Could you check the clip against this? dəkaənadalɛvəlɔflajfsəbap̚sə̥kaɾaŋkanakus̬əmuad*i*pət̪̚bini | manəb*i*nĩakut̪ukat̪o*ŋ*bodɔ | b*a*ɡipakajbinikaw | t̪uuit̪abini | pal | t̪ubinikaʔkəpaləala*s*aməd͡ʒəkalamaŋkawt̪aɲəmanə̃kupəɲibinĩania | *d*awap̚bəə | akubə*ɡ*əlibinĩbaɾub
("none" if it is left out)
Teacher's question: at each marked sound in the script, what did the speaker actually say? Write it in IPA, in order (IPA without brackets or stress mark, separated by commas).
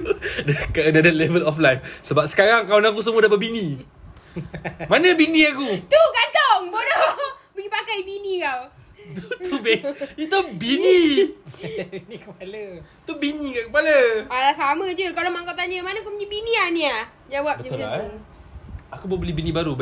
a, i, ŋ, ə, s, d͡ʒ, b